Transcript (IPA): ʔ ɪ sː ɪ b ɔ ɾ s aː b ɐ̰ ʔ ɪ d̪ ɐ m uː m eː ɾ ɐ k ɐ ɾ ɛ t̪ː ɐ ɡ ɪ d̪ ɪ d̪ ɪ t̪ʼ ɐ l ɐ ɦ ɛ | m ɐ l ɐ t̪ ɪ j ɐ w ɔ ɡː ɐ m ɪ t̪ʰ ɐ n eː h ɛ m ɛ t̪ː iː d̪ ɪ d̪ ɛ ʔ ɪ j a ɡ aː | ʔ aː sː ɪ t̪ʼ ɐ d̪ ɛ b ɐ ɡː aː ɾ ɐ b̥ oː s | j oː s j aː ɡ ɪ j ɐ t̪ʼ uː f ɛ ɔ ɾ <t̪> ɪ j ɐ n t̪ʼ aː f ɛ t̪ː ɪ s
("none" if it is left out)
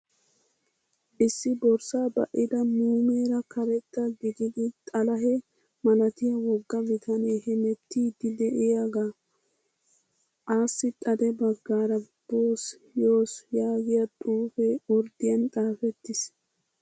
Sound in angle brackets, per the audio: d̪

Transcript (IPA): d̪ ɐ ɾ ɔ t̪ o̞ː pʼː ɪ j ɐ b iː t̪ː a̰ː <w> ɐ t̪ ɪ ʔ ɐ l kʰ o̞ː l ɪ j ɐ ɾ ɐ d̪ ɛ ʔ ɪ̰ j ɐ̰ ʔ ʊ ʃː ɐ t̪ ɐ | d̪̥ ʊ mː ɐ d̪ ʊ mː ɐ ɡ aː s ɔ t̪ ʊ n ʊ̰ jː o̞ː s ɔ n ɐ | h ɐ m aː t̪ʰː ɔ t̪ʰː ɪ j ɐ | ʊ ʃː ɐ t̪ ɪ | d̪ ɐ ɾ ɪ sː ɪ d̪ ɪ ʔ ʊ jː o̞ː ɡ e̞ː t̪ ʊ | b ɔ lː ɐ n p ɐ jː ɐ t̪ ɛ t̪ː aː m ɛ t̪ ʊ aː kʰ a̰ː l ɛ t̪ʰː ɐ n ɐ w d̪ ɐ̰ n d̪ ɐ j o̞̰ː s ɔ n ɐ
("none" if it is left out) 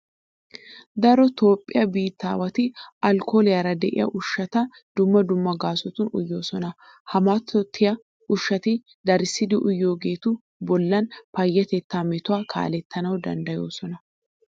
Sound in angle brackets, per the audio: w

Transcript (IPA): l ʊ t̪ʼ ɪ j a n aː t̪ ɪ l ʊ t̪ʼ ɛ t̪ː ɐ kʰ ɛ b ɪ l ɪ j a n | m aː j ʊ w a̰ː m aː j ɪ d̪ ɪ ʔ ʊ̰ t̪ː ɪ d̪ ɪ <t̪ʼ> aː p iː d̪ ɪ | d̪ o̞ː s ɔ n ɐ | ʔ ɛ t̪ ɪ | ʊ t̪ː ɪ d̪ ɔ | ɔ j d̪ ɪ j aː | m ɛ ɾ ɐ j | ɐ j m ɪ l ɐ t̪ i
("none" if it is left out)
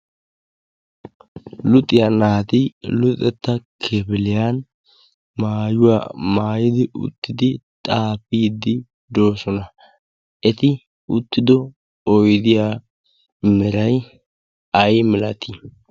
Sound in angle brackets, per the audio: t̪ʼ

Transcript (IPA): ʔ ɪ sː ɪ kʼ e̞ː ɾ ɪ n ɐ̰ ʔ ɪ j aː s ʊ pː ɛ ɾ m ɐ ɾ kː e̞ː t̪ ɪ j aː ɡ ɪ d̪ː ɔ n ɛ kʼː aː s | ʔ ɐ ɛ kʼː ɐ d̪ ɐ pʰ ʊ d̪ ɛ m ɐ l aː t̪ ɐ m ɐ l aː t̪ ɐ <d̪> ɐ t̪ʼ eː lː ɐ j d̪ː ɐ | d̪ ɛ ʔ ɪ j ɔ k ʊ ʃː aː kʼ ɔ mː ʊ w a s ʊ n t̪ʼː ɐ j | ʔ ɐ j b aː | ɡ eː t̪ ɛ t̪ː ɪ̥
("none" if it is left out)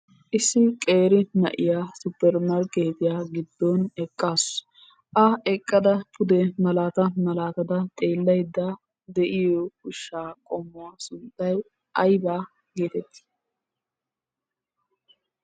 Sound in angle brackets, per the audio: d̪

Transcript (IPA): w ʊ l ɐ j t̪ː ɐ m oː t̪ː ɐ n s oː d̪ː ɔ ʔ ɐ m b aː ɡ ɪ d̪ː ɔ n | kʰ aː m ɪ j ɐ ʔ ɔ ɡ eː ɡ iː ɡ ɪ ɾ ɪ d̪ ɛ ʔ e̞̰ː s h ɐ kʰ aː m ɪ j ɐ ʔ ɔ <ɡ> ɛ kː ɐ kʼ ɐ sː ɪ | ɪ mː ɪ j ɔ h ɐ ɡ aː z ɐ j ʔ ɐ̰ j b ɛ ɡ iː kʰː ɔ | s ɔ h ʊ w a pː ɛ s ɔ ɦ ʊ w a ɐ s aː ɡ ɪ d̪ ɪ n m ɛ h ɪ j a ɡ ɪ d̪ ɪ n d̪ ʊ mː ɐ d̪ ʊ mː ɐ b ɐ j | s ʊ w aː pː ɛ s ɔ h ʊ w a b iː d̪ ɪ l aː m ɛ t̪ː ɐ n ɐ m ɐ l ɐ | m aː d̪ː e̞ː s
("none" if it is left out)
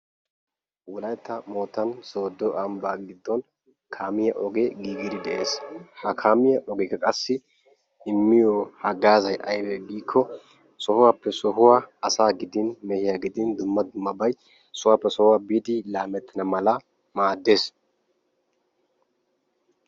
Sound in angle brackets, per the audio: ɡ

